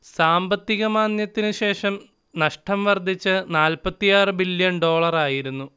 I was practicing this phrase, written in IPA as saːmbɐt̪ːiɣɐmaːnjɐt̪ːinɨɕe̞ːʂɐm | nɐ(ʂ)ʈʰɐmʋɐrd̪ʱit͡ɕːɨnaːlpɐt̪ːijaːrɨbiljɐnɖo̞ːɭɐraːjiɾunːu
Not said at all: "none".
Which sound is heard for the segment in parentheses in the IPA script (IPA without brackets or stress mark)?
ʂ